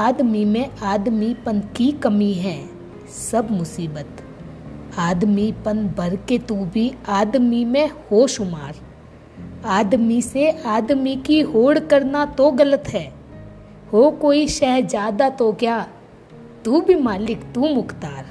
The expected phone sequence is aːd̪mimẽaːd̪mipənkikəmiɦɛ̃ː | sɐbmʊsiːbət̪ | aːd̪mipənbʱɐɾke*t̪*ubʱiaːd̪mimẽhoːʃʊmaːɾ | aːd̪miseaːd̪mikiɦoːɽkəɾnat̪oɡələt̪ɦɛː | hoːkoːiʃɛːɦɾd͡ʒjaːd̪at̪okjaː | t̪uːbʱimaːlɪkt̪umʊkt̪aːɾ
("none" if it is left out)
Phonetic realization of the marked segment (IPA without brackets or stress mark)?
t̪